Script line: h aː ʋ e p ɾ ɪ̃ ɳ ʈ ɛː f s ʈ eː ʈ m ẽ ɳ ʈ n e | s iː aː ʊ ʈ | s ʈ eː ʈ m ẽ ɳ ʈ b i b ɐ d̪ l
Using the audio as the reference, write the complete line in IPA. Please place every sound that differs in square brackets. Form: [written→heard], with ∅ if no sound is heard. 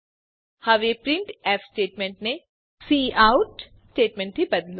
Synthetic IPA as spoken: h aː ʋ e p ɾ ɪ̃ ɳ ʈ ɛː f s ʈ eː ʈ m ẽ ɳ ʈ n e | s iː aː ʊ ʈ | s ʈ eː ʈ m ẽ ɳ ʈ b i b ɐ d̪ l